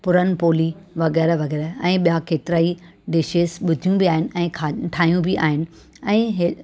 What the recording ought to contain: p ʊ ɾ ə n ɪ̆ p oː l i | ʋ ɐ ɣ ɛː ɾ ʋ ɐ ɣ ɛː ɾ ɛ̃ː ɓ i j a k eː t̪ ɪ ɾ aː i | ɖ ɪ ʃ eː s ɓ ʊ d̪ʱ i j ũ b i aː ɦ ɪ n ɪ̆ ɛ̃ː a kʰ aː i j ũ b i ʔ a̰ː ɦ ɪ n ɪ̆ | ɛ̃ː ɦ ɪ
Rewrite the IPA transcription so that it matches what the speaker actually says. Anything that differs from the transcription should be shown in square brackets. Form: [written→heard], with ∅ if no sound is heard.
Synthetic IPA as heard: p ʊ ɾ ə n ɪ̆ p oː l i | ʋ ɐ ɣ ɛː ɾ ʋ ɐ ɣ ɛː ɾ ɛ̃ː ɓ i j a k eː t̪ ɪ ɾ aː i | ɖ ɪ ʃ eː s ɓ ʊ d̪ʱ i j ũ b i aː ɦ ɪ n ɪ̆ ɛ̃ː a [kʰ→ʈʰ] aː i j ũ b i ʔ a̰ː ɦ ɪ n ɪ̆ | ɛ̃ː ɦ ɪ

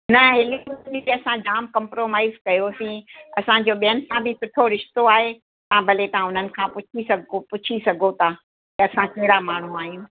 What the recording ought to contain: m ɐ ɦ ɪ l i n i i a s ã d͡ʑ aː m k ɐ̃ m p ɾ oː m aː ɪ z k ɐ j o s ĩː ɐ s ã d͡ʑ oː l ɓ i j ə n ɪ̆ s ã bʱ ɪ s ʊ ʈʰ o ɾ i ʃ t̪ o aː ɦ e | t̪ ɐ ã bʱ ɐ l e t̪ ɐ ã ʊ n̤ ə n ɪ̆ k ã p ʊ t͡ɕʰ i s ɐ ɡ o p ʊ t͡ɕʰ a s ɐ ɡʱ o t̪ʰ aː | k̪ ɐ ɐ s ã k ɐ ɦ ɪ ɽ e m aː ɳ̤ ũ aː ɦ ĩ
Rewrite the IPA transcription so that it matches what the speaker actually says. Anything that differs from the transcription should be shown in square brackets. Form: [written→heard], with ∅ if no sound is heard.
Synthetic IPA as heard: [m→n] ɐ ɦ ɪ l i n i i [a→ɐ] s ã d͡ʑ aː m k ɐ̃ m p ɾ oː m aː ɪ z k ɐ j o s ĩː ɐ s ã d͡ʑ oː [l→∅] ɓ i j ə n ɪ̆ s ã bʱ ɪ s ʊ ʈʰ o ɾ [i→ɪ] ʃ t̪ o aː ɦ e | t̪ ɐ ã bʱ ɐ l e t̪ ɐ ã ʊ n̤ ə n ɪ̆ [k→kʰ] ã p ʊ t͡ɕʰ i s ɐ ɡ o p ʊ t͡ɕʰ [a→i] s ɐ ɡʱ o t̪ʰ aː | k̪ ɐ ɐ s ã k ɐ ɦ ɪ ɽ [e→a] m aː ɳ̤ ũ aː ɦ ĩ

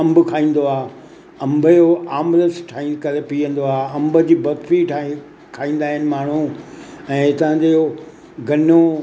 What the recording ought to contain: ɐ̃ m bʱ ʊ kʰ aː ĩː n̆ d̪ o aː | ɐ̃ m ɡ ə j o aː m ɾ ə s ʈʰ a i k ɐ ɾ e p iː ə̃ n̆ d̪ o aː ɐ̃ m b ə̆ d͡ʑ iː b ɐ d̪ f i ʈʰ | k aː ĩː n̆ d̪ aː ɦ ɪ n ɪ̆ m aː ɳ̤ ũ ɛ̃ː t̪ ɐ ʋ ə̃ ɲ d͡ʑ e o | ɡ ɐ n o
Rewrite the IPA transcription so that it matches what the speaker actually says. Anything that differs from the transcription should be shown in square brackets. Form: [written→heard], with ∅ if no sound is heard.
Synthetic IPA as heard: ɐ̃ m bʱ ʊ kʰ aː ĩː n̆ d̪ o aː | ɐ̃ m [ɡ→b] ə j o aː m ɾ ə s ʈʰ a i k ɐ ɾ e p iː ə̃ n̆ d̪ o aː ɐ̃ m b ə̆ d͡ʑ iː b ɐ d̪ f i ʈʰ | [k→kʰ] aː ĩː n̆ d̪ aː ɦ ɪ n ɪ̆ m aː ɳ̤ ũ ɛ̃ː t̪ ɐ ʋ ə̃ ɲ d͡ʑ e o | ɡ ɐ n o

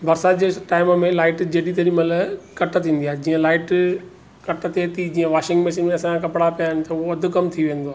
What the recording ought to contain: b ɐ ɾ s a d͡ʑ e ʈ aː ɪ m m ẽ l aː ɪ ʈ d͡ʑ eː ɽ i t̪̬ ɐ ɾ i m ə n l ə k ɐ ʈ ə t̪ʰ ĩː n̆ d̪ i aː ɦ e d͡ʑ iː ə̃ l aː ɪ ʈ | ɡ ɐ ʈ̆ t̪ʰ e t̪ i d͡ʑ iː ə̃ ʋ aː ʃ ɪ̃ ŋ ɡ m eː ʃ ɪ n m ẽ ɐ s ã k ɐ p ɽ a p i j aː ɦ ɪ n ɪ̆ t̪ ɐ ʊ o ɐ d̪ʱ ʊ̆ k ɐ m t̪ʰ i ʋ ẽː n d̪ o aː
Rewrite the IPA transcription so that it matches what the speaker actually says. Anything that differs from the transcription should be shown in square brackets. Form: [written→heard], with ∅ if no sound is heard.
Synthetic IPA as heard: b ɐ ɾ s a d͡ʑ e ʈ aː ɪ m m ẽ l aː ɪ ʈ d͡ʑ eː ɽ i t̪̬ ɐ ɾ i m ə [n→∅] l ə k ɐ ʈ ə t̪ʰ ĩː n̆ d̪ i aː ɦ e d͡ʑ iː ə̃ l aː ɪ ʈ | [ɡ→k] ɐ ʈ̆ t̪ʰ e t̪ i d͡ʑ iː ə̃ ʋ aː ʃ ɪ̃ ŋ ɡ m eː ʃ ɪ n m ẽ ɐ s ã k ɐ p ɽ a p i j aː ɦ ɪ n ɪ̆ t̪ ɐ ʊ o ɐ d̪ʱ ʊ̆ k ɐ m t̪ʰ i ʋ ẽː n d̪ o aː

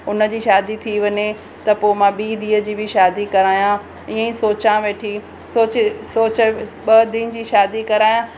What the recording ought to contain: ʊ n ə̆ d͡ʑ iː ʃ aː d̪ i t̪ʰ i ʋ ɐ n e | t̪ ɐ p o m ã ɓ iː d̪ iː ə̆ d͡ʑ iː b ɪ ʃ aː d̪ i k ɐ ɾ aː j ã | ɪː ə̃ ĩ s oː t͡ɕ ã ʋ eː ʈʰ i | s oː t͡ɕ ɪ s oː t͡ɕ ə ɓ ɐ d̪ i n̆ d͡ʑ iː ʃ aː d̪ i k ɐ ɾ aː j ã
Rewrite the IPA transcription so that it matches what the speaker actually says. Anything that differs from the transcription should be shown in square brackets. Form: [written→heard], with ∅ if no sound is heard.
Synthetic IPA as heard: ʊ n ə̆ d͡ʑ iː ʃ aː d̪ i t̪ʰ i ʋ ɐ [n→ɲ] e | t̪ ɐ p o m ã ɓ iː d̪ iː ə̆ d͡ʑ iː b ɪ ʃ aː d̪ i k ɐ ɾ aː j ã | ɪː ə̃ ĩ s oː t͡ɕ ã ʋ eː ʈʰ i | s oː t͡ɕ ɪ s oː t͡ɕ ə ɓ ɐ d̪ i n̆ d͡ʑ iː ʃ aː d̪ i k ɐ ɾ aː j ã

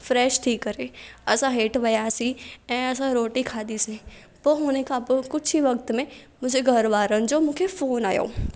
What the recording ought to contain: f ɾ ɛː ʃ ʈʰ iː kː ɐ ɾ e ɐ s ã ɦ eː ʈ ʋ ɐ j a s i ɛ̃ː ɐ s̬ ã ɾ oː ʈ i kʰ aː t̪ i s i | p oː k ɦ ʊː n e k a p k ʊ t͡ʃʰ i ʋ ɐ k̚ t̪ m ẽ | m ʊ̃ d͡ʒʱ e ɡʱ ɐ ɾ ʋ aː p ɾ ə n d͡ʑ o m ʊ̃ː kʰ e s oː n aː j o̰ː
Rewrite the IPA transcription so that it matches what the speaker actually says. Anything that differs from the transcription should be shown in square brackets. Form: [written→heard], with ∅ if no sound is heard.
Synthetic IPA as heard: f ɾ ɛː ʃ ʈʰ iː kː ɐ ɾ e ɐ s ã ɦ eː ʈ ʋ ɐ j a s i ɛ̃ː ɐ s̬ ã ɾ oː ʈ i kʰ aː [t̪→d̪] i s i | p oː [k→∅] ɦ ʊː n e k a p k ʊ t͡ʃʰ i ʋ ɐ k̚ t̪ m ẽ | m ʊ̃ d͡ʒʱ e ɡʱ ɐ ɾ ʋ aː [p→∅] ɾ ə n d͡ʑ o m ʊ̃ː kʰ e [s→f] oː n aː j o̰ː

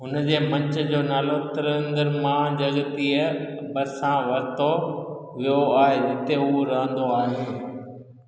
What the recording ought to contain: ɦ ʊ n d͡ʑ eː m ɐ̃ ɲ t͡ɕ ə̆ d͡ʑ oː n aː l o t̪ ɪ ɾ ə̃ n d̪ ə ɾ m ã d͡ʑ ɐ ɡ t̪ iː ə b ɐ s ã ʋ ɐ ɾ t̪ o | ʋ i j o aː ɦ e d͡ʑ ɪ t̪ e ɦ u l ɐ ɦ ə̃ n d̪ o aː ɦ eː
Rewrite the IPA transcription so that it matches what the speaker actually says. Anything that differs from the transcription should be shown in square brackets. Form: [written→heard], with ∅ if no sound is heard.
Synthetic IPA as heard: ɦ ʊ n d͡ʑ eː m ɐ̃ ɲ t͡ɕ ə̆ d͡ʑ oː n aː l o t̪ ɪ ɾ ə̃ n d̪ ə ɾ m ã d͡ʑ ɐ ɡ t̪ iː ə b ɐ s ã ʋ ɐ ɾ t̪ o | ʋ i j o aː ɦ e d͡ʑ ɪ t̪ e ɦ u [l→ɾ] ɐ ɦ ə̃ n d̪ o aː ɦ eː

